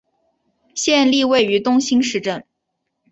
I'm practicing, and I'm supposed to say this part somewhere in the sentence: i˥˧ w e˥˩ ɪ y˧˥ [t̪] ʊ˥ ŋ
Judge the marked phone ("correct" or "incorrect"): correct